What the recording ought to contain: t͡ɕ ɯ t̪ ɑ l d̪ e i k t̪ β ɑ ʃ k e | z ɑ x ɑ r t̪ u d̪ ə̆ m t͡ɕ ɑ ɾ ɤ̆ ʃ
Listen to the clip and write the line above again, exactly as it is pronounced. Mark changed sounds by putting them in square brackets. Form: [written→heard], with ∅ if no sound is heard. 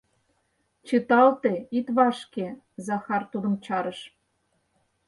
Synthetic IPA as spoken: t͡ɕ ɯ t̪ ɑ l [d̪→t̪] e i [k→∅] t̪ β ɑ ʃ k e | z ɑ x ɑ r t̪ u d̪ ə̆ m t͡ɕ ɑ ɾ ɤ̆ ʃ